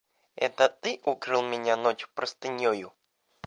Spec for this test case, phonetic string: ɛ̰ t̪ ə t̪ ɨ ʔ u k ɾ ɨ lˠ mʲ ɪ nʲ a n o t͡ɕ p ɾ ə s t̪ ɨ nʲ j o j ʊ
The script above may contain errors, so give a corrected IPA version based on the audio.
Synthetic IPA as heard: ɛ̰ t̪ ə t̪ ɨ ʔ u k ɾ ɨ lˠ mʲ ɪ nʲ a n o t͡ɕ p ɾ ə s t̪ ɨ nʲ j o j ʊ

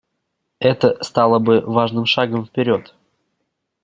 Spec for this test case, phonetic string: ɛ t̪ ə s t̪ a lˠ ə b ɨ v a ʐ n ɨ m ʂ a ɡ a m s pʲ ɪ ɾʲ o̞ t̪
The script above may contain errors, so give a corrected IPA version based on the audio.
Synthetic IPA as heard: ɛ t̪ ə s t̪ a lˠ ə b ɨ v a ʐ n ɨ m ʂ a ɡ ə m f pʲ ɪ ɾʲ o̞ t̪

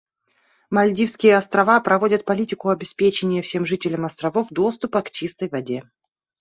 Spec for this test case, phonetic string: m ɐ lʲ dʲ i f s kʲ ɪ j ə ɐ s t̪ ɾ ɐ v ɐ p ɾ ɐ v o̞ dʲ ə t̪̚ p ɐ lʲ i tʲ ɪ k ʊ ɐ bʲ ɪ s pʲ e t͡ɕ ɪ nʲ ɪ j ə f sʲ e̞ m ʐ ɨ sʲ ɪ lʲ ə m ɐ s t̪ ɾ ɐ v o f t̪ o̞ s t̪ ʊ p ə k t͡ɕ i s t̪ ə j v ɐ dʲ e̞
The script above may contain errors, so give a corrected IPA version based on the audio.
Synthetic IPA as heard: m ɐ lʲ dʲ i f s kʲ ɪ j ə ɐ s t̪ ɾ ɐ v a p ɾ ɐ v o̞ dʲ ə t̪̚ p ɐ lʲ i tʲ ɪ k ʊ ɐ bʲ ɪ s pʲ e t͡ɕ ɪ nʲ ɪ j ə f sʲ e̞ m ʐ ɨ tʲ ɪ lʲ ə m ɐ s t̪ ɾ ɐ v o f d̪ o̞ s t̪ ʊ p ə k t͡ɕ i s t̪ ə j v ɐ dʲ e̞

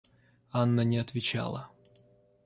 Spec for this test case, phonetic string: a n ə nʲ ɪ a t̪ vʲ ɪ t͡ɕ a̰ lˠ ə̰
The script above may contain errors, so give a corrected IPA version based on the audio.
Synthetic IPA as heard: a nː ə nʲ ɪ ɐ t̪ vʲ ɪ t͡ɕ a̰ lˠ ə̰

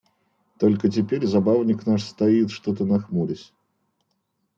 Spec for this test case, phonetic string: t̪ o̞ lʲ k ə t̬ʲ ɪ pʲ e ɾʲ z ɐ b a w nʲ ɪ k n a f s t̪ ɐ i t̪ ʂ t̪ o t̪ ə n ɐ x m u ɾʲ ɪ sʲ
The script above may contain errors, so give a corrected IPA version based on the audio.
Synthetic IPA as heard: t̪ o̞ lʲ k ə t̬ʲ ɪ pʲ e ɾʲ z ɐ b a v nʲ ɪ k n a ʂ s t̪ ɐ i t̪ ʂ t̪ o t̪ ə n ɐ x m u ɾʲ ɪ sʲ

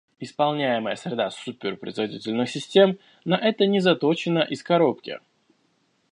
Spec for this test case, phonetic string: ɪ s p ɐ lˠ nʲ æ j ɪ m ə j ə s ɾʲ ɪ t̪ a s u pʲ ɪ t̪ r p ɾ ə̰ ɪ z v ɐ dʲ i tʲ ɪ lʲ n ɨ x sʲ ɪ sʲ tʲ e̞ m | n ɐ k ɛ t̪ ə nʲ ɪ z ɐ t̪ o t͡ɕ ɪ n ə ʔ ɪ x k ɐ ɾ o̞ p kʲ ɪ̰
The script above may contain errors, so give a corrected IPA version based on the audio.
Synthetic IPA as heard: ɪ s p ɐ lˠ nʲ æ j ɪ m ə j ə s ɾʲ ɪ d̪ a s u pʲ ɪ r p ɾ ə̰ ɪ z v ɐ dʲ i tʲ ɪ lʲ n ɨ x sʲ ɪ sʲ tʲ e̞ m | n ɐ ʔ ɛ t̪ ə nʲ ɪ z ɐ t̪ o t͡ɕ ɪ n ə ʔ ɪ s k ɐ ɾ o̞ p kʲ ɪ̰

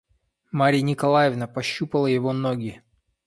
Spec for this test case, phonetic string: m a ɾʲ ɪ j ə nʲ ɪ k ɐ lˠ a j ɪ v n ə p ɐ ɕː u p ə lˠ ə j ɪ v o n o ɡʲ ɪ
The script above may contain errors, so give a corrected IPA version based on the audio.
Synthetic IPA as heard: m a ɾʲ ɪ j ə nʲ ɪ k ɐ lˠ a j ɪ v n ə p ɐ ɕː u p ə lˠ ə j ɪ v o n o ɡʲ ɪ

